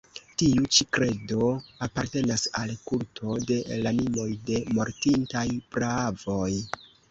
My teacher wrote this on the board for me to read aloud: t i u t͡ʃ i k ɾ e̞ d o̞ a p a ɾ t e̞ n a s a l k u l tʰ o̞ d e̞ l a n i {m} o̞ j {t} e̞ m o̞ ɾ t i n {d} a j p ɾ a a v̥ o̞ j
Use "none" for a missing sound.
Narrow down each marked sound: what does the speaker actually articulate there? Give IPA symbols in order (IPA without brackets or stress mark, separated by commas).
m, d, t